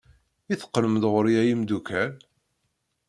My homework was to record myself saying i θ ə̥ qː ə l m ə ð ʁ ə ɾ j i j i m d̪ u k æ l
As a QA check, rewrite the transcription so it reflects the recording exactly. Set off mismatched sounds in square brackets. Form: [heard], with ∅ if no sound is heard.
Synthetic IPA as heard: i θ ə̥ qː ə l m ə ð ʁ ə ɾ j [æ] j i m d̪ u k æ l